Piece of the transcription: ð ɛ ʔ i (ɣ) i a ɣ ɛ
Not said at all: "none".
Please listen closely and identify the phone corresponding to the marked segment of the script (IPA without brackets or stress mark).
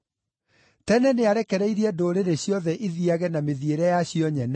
ð